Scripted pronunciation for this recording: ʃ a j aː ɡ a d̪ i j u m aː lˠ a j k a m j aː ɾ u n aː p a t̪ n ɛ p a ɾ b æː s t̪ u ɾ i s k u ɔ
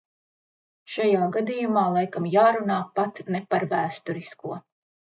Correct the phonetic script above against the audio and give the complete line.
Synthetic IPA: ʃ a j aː ɡ a d̪ i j u m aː lˠ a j k a m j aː ɾ u n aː p a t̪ n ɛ p a ɾ v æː s t̪ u ɾ i s k u ɔ